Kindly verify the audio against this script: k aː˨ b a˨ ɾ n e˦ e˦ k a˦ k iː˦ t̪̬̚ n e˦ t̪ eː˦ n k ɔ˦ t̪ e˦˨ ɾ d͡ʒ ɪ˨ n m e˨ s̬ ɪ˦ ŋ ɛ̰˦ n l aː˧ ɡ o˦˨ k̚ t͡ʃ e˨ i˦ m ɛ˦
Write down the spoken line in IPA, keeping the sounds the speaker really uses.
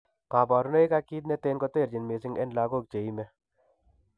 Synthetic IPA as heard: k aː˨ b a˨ ɾ n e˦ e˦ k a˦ k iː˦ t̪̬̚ n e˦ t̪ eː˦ n k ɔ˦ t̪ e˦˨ ɾ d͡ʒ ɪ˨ n m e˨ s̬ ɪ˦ ŋ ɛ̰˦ n l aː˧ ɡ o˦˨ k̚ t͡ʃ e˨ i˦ m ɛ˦